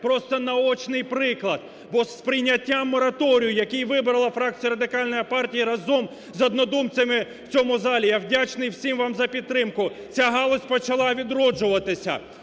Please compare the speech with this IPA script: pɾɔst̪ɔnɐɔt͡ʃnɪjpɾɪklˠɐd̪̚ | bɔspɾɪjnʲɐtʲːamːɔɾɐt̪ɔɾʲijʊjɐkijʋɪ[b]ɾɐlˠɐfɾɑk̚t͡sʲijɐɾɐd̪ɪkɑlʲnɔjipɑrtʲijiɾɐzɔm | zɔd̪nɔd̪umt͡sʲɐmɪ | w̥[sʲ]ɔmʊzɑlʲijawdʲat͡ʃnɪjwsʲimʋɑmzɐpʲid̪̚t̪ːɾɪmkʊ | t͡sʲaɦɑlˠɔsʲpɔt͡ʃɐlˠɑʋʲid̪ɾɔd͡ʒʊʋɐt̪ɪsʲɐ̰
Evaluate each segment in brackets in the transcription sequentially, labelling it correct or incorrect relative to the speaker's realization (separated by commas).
correct, incorrect